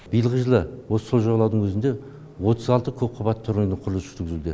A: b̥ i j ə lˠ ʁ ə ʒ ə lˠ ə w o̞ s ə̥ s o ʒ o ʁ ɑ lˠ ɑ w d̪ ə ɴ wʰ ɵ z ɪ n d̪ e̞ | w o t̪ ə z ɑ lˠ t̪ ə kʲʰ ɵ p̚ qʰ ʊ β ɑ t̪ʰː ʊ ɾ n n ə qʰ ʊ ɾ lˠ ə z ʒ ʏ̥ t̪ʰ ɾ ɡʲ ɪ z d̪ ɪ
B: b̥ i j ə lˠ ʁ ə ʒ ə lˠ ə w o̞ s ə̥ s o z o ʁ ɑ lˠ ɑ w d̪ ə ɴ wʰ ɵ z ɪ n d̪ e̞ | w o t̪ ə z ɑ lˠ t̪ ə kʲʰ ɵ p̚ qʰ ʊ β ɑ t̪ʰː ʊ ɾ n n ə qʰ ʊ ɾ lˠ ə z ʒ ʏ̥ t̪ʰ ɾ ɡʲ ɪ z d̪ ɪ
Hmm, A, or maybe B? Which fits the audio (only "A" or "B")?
A